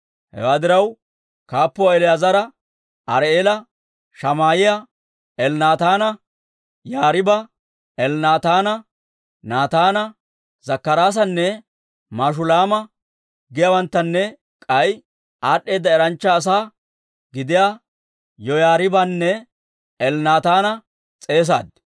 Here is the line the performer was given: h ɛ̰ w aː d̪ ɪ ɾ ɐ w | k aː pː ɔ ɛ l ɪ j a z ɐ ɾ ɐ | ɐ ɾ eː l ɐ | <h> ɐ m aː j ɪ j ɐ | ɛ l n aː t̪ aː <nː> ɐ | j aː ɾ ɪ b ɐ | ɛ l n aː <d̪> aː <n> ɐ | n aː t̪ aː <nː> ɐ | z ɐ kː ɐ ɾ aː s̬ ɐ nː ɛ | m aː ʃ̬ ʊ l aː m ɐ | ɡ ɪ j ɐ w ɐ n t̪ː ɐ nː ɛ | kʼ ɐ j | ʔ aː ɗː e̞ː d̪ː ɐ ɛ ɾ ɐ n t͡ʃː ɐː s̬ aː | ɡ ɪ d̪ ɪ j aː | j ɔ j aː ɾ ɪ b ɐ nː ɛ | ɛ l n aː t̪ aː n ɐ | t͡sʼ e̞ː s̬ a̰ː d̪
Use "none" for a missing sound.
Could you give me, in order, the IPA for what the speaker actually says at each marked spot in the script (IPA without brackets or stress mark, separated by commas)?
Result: ʃ, n, t̪, n, n